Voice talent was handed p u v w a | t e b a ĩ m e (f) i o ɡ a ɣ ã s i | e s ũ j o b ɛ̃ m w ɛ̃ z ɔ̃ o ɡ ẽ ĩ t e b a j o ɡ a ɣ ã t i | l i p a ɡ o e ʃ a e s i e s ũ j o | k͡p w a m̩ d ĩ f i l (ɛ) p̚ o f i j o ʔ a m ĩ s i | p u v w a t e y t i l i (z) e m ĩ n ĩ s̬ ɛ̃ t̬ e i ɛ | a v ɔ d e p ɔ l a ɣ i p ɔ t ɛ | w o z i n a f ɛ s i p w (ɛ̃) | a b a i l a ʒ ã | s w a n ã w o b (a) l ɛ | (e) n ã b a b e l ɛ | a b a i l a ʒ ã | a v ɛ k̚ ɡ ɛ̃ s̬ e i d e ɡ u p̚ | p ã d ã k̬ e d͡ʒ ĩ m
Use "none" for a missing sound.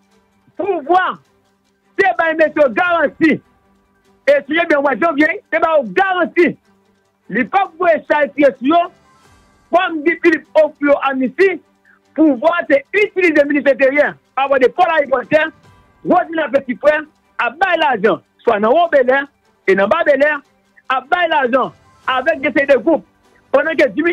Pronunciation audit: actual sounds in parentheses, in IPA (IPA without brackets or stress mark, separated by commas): s, i, z, ɛ, e, e